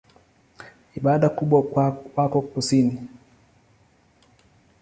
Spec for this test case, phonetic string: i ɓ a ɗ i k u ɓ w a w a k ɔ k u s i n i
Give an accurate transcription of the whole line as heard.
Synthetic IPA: i ɓ a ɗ a k u ɓ w a w a k ɔ k u s i n i